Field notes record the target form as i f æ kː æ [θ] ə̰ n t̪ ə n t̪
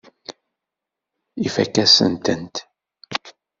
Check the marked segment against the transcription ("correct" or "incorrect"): incorrect